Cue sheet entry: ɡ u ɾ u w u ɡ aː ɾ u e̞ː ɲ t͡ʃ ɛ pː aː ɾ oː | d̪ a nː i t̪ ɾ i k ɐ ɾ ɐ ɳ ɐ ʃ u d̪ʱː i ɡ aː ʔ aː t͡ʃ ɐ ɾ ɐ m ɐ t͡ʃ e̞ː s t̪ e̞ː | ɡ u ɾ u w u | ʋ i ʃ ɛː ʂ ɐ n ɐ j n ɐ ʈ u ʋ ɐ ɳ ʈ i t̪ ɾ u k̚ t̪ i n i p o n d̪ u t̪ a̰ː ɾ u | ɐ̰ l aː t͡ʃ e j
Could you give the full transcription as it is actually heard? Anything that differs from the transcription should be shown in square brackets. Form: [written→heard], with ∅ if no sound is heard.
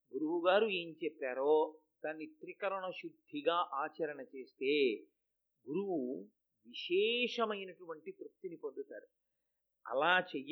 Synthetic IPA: ɡ u ɾ u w u ɡ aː ɾ u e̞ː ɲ t͡ʃ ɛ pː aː ɾ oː | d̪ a nː i t̪ ɾ i k ɐ ɾ ɐ ɳ ɐ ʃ u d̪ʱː i ɡ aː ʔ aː t͡ʃ ɐ ɾ ɐ [m→ɳ] ɐ t͡ʃ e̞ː s t̪ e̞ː | ɡ u ɾ u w u | ʋ i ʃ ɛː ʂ ɐ [n→m] ɐ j n ɐ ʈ u ʋ ɐ ɳ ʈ i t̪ ɾ u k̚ t̪ i n i p o n d̪ u t̪ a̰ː ɾ u | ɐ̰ l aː t͡ʃ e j